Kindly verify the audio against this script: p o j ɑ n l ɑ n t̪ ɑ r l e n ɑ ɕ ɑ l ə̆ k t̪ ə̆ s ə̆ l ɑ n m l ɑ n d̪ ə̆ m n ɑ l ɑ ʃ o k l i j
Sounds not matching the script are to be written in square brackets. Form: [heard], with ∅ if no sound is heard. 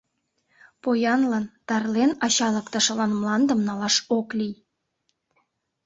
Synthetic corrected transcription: p o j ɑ n l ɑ n t̪ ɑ r l e n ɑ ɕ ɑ l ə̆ k t̪ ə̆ [ʃ] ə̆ l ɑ n m l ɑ n d̪ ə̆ m n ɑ l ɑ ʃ o k l i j